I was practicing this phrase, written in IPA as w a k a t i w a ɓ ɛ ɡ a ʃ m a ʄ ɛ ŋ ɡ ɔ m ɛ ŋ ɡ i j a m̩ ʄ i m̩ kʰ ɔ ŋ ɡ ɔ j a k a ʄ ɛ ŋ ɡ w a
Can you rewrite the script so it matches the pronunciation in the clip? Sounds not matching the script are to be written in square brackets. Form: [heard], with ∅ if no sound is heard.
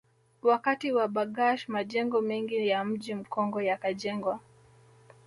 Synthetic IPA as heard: w a k a t i w a ɓ [a] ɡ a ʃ m a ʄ ɛ ŋ ɡ ɔ m ɛ ŋ ɡ i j a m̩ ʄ i m̩ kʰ ɔ ŋ ɡ ɔ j a k a ʄ ɛ ŋ ɡ w a